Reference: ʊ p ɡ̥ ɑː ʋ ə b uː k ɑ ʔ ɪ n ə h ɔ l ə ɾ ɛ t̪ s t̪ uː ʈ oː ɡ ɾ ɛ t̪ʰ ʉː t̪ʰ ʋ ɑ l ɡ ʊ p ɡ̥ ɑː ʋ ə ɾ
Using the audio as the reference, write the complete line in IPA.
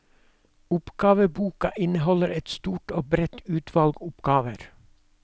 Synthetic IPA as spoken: ʊ p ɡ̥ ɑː ʋ ə b uː k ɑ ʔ ɪ n ə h ɔ l ə ɾ ɛ t̪ s t̪ uː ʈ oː b ɾ ɛ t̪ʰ ʉː t̪ʰ ʋ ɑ l ɡ ʊ p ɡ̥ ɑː ʋ ə ɾ